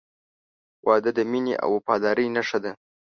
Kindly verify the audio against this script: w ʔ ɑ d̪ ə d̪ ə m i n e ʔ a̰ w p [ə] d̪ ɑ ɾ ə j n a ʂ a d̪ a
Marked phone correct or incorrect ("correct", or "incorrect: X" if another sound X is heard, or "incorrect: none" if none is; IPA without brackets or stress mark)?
incorrect: ɑ